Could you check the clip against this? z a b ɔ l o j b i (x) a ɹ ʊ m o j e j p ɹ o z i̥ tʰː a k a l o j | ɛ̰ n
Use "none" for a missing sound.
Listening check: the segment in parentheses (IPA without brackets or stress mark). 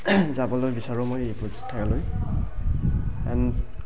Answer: s